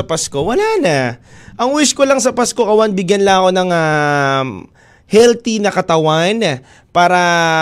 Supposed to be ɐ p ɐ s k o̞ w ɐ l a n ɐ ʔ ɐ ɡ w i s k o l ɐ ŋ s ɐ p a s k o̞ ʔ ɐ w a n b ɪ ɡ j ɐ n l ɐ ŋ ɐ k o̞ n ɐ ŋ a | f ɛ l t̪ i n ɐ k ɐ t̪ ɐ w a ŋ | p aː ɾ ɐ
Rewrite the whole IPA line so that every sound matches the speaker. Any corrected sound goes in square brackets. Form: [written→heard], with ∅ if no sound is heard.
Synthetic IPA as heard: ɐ p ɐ s k o̞ w ɐ l a n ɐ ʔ ɐ [ɡ→ŋ] w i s k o l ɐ ŋ s ɐ p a s k o̞ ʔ ɐ w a n b ɪ ɡ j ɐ n l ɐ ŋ ɐ k o̞ n ɐ ŋ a | [f→h] ɛ l t̪ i n ɐ k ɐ t̪ ɐ w a [ŋ→n] | p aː ɾ ɐ